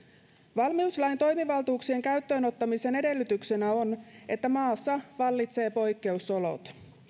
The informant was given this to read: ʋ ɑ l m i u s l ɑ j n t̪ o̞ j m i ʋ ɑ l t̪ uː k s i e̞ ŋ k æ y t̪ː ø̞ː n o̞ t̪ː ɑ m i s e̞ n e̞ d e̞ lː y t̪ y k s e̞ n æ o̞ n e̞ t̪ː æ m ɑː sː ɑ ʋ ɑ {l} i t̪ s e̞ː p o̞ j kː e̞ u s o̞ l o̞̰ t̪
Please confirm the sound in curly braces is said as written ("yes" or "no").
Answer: no